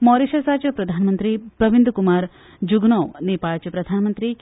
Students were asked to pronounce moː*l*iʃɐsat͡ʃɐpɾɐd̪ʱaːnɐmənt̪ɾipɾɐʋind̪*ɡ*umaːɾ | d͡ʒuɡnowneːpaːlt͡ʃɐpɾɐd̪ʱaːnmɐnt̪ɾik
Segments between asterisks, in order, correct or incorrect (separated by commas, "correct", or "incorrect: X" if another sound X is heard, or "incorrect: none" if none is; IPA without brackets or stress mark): incorrect: ɾ, incorrect: k